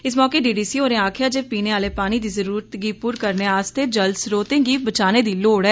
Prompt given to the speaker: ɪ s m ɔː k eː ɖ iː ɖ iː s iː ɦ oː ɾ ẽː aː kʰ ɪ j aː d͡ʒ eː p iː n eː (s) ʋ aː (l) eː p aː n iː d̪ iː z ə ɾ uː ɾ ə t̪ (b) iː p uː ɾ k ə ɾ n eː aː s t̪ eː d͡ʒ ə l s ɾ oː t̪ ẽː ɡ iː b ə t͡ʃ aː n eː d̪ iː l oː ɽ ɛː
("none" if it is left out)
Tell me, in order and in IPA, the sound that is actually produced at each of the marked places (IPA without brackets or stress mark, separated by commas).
none, l, ɡ